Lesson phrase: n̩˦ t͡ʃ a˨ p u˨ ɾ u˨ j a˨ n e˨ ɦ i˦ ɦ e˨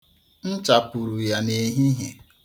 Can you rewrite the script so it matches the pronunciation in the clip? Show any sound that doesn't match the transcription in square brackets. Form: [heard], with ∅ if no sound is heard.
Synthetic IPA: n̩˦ t͡ʃ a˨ p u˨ ɾ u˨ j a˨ n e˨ ɦ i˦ ɦ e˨